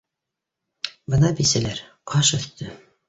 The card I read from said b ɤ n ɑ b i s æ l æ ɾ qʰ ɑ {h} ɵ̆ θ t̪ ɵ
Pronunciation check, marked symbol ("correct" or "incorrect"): incorrect